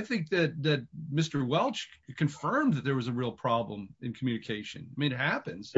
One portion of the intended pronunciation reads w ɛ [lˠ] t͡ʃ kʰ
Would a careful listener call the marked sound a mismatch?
no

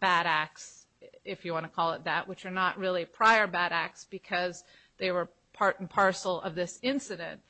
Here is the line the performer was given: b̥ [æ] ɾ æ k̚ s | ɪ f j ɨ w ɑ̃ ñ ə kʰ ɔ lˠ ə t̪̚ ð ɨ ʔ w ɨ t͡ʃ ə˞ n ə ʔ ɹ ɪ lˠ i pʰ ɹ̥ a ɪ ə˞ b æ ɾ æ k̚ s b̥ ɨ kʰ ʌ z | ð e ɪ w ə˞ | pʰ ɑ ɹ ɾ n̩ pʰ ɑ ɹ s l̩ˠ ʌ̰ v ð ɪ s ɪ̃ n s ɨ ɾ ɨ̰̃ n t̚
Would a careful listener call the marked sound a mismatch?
no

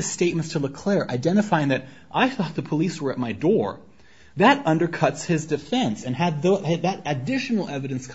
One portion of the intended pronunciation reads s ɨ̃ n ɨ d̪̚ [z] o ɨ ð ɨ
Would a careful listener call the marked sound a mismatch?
yes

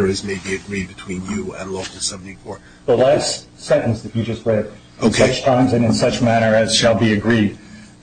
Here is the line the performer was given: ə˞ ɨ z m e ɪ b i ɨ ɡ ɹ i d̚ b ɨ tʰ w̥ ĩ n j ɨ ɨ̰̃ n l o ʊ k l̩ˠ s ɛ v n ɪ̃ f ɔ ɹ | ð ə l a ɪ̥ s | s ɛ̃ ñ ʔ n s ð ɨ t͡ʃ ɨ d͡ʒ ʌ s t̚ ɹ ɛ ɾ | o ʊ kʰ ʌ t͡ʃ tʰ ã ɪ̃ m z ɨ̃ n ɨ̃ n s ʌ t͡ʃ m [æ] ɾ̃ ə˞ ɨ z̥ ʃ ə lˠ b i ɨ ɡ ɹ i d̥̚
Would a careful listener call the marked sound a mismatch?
no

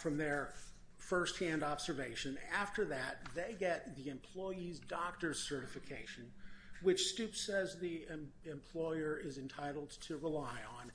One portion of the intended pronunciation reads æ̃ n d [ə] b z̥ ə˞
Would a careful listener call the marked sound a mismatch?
yes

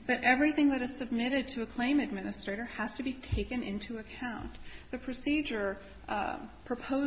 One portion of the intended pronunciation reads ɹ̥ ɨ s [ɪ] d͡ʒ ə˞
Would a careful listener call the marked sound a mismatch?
yes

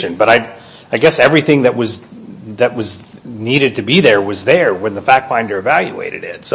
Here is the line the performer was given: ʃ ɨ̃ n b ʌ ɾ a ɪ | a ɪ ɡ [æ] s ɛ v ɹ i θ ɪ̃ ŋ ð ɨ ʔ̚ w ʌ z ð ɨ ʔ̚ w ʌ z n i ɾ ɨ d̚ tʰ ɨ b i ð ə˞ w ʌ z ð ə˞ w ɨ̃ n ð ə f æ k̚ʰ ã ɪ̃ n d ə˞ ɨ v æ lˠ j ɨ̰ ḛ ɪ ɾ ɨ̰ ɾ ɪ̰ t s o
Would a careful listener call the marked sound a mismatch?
yes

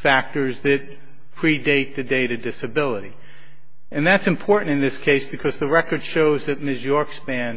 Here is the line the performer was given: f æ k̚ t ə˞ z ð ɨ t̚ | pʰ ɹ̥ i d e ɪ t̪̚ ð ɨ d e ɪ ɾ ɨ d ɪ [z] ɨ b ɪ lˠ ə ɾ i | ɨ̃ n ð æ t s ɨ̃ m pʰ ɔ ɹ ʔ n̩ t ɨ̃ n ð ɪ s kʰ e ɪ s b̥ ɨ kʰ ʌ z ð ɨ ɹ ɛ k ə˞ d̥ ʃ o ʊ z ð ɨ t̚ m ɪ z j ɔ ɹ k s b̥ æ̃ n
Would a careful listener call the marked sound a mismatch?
yes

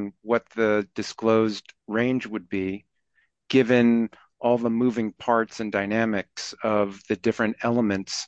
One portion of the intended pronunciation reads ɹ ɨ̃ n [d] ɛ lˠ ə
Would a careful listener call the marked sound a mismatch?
yes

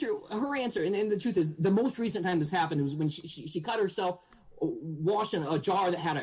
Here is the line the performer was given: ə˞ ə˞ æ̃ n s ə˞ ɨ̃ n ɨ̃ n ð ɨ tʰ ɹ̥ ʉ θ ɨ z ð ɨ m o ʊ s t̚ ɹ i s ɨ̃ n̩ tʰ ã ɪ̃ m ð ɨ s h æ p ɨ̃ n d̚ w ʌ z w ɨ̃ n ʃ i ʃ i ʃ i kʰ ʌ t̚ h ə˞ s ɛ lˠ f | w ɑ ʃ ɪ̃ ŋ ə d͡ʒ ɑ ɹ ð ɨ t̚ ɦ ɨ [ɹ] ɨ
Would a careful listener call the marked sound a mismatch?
yes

